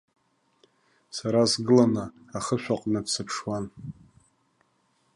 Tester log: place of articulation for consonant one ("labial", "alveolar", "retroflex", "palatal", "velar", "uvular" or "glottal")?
alveolar